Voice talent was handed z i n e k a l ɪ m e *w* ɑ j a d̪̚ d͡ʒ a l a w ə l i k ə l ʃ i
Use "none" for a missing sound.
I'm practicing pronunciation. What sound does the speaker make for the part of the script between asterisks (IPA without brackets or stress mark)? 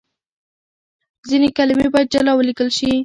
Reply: b